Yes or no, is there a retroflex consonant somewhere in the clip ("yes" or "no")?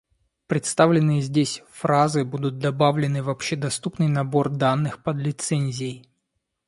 no